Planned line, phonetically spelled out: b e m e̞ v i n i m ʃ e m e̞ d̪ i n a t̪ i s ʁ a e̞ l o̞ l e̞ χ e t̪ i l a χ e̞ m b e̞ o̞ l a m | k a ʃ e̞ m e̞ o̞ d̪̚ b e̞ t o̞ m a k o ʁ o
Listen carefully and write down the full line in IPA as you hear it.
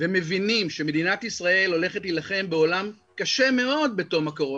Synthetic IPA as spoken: v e m e̞ v i n i m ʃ e m e̞ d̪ i n a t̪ i s ʁ a e̞ l o̞ l e̞ χ e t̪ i l a χ e̞ m b e̞ o̞ l a m | k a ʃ e̞ m e̞ o̞ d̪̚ b e̞ t o̞ m a k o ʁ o